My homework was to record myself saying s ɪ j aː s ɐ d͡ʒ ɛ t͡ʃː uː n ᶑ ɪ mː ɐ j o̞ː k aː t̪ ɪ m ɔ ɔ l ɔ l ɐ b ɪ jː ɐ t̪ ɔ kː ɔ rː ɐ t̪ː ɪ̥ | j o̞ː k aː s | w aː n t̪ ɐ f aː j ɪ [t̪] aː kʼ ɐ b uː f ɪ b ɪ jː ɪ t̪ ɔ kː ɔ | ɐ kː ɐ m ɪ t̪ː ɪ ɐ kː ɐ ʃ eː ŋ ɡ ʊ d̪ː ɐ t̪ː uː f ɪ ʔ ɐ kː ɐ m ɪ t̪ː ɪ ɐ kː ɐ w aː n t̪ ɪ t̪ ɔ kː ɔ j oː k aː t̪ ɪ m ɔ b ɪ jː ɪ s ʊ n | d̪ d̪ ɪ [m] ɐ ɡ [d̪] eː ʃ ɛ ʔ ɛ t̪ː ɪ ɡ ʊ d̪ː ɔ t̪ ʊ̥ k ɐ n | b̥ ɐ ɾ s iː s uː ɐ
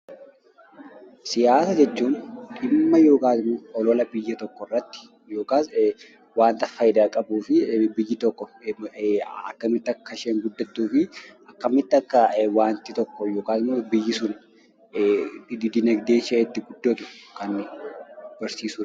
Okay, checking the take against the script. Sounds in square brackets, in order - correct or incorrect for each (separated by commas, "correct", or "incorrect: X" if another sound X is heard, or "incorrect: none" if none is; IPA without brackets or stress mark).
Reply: incorrect: d̪, incorrect: n, correct